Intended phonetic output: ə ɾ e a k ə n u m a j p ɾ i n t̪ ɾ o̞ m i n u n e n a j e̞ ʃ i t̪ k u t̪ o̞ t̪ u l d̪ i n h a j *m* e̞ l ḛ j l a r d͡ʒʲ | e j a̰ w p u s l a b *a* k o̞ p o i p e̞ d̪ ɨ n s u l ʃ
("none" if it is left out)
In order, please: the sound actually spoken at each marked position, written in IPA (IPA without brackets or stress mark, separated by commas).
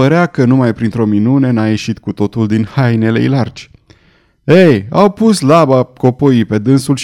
n, a